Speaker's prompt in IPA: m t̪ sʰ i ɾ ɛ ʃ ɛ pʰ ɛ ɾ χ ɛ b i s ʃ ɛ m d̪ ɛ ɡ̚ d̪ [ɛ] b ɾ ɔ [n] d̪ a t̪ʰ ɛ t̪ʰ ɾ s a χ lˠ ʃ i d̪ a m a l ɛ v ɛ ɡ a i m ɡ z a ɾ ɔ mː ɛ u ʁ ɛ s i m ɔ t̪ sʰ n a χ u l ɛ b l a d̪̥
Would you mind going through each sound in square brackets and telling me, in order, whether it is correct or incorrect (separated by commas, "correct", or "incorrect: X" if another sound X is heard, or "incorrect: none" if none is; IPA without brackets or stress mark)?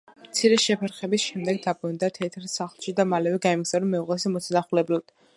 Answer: incorrect: a, correct